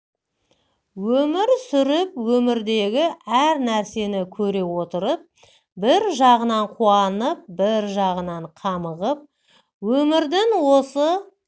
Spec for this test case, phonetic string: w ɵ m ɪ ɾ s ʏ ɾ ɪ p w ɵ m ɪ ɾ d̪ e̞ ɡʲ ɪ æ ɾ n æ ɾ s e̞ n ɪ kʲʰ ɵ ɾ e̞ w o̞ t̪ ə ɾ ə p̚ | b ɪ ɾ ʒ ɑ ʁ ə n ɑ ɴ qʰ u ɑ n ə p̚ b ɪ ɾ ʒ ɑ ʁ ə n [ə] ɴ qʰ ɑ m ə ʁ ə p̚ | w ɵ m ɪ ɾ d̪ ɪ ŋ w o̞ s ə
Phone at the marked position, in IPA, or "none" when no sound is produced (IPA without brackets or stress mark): ɑ